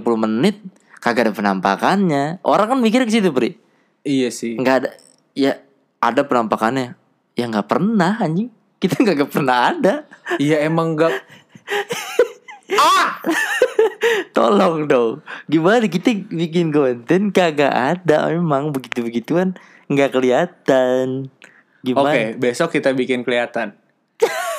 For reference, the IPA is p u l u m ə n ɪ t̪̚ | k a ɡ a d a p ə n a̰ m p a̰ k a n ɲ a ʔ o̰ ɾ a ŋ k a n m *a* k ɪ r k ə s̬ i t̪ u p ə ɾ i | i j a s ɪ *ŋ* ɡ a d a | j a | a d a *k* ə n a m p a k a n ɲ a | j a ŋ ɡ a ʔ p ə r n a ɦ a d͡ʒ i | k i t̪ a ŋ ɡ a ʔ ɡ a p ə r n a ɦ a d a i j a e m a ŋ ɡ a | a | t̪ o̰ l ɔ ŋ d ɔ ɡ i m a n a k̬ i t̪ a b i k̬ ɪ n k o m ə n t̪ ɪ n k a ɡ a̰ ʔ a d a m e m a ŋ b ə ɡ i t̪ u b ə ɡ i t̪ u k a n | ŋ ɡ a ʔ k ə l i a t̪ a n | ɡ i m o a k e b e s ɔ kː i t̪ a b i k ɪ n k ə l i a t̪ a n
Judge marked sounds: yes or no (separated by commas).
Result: no, yes, no